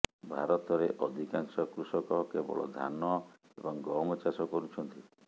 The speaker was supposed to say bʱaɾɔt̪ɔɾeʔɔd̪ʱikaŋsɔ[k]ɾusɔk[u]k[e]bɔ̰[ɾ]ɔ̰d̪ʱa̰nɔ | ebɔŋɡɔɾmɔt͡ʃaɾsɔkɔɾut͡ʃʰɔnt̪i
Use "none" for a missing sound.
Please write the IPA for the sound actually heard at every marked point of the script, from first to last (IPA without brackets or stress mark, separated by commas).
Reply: k, ɔ, e, ɭ